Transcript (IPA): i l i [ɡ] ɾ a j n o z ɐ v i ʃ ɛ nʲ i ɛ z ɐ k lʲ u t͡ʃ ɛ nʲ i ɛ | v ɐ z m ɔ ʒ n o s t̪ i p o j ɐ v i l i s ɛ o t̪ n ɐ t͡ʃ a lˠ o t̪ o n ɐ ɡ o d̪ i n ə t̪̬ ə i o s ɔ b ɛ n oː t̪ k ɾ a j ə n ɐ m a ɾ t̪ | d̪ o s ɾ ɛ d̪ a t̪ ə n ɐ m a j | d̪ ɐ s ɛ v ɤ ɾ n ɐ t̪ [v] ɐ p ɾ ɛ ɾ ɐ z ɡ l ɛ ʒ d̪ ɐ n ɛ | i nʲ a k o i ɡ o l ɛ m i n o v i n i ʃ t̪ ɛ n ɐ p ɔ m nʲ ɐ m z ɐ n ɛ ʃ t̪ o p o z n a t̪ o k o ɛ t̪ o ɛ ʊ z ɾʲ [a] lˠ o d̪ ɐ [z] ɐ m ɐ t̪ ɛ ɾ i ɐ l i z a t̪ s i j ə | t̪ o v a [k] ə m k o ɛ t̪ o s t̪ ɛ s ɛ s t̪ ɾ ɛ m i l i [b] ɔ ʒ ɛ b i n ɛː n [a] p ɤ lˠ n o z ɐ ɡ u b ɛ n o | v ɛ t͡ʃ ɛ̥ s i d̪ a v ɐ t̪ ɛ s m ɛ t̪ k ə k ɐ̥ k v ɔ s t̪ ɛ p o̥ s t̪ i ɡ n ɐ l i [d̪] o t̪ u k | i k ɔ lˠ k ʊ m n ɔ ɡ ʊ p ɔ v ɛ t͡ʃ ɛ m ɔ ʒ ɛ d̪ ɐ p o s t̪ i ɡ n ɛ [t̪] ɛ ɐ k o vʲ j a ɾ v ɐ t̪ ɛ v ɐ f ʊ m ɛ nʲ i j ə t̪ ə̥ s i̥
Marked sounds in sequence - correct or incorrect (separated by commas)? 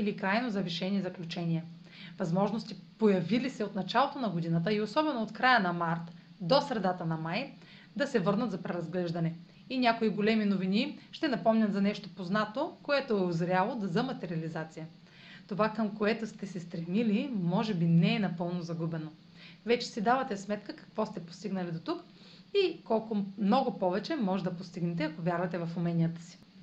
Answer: incorrect, incorrect, correct, correct, correct, incorrect, incorrect, correct, correct